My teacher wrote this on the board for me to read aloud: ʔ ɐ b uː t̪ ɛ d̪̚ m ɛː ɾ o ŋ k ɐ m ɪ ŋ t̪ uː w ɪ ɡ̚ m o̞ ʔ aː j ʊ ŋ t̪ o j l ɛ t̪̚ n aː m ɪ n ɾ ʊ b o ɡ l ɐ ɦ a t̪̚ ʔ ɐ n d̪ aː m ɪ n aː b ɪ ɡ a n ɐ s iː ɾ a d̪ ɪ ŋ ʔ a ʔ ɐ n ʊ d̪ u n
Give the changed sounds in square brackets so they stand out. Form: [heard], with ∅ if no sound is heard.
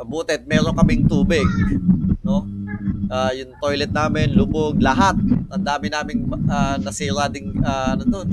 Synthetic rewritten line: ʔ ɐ b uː t̪ ɛ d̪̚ m ɛː ɾ o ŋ k ɐ m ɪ ŋ t̪ uː [b] ɪ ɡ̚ [n] o̞ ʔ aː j ʊ ŋ t̪ o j l ɛ t̪̚ n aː m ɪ n [l] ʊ b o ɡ l ɐ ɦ a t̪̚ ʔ ɐ n d̪ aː m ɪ n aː [m] ɪ [ŋ] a n ɐ s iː ɾ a d̪ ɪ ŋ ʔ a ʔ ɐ n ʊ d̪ [o] n